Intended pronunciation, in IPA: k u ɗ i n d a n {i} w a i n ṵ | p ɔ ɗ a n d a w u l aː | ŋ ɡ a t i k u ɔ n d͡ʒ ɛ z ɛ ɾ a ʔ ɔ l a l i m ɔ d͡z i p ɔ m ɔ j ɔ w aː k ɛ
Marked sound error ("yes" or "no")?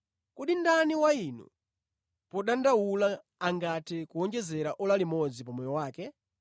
no